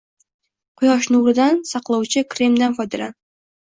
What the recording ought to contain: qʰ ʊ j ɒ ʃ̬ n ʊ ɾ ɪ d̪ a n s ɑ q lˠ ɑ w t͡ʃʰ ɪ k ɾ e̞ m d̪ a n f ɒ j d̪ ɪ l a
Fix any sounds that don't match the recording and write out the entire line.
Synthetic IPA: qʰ ʊ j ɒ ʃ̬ n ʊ ɾ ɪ d̪ a n s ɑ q lˠ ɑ w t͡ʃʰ ɪ k ɾ e̞ m d̪ a n f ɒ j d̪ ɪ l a